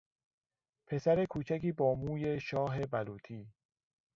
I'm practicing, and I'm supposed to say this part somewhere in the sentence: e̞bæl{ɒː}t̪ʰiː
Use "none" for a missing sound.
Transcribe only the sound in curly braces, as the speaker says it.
uː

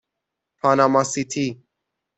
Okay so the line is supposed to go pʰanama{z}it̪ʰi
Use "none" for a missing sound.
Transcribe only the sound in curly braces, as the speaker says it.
s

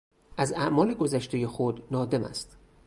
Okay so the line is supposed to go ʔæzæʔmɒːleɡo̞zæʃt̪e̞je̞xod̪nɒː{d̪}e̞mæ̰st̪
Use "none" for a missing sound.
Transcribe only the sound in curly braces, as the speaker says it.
d̪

